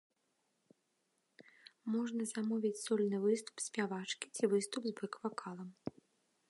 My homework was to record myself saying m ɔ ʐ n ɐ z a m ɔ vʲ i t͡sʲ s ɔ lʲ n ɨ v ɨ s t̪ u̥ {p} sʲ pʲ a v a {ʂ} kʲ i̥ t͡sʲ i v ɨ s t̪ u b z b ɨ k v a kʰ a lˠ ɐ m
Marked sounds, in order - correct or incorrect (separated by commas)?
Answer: correct, incorrect